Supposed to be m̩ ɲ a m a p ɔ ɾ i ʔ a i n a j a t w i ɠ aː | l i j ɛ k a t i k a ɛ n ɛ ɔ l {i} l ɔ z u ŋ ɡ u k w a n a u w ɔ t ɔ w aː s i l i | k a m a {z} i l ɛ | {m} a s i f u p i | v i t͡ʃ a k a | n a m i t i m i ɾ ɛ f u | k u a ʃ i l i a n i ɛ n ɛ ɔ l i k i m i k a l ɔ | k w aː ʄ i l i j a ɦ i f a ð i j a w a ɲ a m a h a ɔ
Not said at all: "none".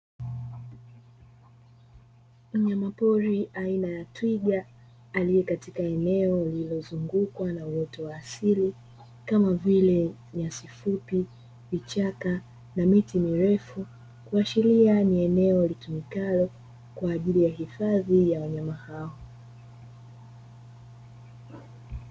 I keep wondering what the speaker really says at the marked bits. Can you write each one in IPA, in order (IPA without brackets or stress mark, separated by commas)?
i, v, ɲ